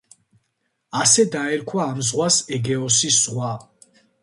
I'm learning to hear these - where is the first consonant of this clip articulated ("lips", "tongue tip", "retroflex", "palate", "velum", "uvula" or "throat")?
tongue tip